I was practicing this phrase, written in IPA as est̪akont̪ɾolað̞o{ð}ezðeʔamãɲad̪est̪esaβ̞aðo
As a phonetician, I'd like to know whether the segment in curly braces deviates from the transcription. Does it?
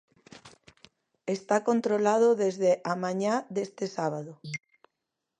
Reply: no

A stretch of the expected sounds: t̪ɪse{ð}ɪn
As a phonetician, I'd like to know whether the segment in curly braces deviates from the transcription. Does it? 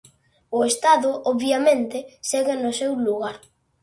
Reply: yes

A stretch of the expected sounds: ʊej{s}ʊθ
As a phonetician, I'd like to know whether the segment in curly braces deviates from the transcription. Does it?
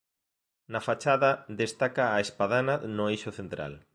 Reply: yes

